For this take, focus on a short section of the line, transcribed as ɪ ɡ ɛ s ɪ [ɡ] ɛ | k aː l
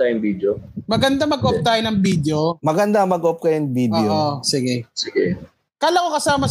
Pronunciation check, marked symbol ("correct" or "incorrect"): correct